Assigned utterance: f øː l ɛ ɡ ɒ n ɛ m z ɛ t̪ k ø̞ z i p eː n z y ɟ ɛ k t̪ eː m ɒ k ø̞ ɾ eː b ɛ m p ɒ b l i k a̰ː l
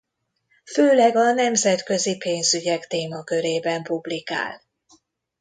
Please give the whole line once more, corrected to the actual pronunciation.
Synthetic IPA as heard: f øː l ɛ ɡ ɒ n ɛ m z ɛ t̪ k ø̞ z i p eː n z y ɟ ɛ k t̪ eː m ɒ k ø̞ ɾ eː b ɛ m p u b l i k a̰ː l